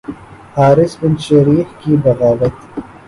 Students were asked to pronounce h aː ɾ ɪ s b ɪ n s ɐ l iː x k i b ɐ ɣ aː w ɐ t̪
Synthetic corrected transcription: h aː ɾ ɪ s b ɪ n ʃ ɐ ɾ iː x k i b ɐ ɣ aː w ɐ t̪